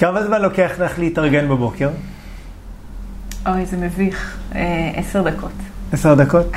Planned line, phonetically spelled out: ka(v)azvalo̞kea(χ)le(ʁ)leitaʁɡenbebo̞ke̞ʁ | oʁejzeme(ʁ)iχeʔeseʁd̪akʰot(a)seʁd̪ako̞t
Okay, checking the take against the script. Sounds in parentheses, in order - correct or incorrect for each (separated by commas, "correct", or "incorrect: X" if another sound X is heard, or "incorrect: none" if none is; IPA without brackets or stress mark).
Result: correct, correct, incorrect: χ, incorrect: v, incorrect: e